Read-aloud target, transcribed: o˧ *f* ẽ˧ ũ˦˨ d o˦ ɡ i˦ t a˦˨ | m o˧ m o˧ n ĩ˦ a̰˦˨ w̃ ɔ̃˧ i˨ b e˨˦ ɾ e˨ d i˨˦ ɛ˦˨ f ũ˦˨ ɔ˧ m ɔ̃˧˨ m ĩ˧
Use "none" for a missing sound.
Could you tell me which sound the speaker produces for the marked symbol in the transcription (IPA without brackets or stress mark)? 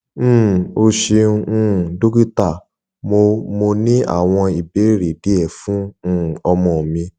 ʃ